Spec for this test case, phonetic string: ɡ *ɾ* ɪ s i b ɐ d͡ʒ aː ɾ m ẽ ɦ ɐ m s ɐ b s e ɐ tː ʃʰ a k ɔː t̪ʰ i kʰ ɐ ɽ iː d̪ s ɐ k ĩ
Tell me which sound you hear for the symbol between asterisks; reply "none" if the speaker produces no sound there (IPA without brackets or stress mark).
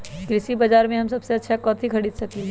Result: ɾ